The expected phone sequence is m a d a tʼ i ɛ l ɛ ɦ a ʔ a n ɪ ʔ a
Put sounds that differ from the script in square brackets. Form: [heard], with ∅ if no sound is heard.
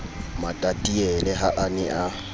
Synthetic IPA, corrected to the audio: m a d a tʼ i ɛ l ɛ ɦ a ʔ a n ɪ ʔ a